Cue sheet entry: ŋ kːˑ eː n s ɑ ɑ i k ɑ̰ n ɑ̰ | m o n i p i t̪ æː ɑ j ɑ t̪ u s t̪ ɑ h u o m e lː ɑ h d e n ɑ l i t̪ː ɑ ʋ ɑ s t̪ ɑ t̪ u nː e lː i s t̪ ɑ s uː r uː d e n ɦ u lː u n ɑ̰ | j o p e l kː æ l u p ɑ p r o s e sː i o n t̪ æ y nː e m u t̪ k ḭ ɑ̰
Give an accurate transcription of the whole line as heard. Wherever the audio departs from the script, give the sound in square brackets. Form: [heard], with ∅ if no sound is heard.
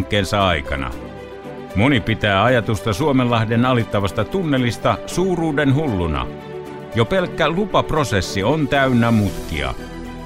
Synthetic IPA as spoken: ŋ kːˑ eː n s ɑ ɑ i k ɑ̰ n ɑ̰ | m o n i p i t̪ æː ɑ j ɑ t̪ u s t̪ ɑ [s] u o m e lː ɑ h d e n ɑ l i t̪ː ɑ ʋ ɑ s t̪ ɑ t̪ u nː e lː i s t̪ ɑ s uː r uː d e n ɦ u lː u n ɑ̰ | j o p e l kː æ l u p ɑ p r o s e sː i o n t̪ æ y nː [æ] m u t̪ k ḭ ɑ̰